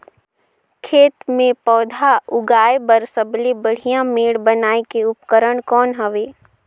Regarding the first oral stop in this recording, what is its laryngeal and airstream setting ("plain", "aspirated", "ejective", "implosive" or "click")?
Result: aspirated